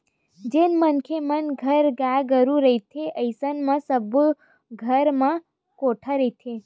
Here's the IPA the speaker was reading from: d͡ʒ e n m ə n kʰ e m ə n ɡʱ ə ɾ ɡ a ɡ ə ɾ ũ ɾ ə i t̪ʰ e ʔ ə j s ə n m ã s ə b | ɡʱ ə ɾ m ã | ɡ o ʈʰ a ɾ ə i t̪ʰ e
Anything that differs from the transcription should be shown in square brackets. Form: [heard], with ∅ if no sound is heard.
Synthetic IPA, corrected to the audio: d͡ʒ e n m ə n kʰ e m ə n ɡʱ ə ɾ ɡ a ɡ ə ɾ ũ ɾ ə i t̪ʰ e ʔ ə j s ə n m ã s ə b | ɡʱ ə ɾ m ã | [k] o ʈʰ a ɾ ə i t̪ʰ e